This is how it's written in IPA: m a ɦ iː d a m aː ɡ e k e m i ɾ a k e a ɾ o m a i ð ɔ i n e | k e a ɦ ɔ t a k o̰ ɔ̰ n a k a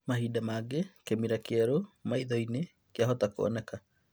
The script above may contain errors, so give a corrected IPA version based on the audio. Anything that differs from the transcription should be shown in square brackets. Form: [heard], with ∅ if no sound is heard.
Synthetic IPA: m a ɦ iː d a m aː ɡ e k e m i ɾ a k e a ɾ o m a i ð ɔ i n e | k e a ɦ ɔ t a k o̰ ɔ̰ n [ɛ] k a